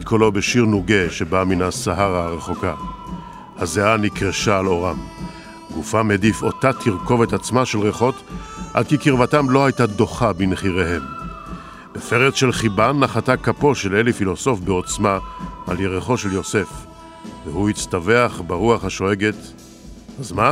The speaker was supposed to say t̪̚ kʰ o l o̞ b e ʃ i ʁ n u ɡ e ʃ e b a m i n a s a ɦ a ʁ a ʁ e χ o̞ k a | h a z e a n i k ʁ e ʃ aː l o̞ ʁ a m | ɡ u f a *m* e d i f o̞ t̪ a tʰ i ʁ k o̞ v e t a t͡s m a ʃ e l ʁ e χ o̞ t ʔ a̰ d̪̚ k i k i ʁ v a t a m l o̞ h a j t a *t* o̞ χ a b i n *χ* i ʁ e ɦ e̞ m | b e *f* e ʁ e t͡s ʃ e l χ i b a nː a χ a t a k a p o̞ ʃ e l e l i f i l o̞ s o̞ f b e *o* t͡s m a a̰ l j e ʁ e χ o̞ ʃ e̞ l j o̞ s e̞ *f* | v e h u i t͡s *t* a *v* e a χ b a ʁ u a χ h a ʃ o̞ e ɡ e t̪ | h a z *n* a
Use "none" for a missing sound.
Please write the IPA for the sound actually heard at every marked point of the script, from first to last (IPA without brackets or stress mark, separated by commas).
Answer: m, d, χ, f, o, f, t, v, m